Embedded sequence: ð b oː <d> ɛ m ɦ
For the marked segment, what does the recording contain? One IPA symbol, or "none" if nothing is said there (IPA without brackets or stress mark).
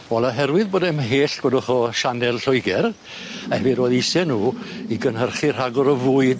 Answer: d